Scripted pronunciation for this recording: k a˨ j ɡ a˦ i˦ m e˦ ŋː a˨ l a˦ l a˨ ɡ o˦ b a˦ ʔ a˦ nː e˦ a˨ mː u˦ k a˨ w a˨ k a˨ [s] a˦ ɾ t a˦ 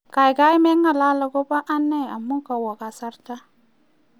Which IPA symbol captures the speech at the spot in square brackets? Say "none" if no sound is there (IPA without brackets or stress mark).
s